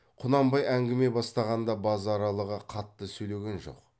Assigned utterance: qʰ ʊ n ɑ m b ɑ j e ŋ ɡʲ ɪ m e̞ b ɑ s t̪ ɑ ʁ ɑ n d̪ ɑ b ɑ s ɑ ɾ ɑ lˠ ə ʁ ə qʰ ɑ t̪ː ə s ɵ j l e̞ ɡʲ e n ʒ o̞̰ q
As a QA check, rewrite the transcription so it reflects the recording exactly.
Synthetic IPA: qʰ ʊ n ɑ m b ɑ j æ ŋ ɡʲ ɪ m e̞ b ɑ s t̪ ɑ ʁ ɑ n d̪ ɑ b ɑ z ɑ ɾ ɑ lˠ ə ʁ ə qʰ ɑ t̪ː ə s ɵ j l e̞ ɡʲ e n ʒ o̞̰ q